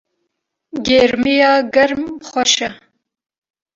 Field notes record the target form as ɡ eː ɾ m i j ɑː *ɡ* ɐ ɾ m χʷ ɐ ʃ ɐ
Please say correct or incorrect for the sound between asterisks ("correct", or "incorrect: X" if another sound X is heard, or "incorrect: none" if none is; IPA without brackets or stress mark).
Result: correct